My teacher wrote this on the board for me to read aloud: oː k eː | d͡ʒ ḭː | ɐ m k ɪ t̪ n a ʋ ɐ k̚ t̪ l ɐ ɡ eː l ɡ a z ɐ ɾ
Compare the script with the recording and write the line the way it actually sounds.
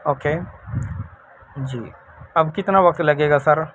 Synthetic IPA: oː k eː | d͡ʒ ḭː | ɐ b k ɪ t̪ n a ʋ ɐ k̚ t̪ l ɐ ɡ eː ɡ a s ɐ ɾ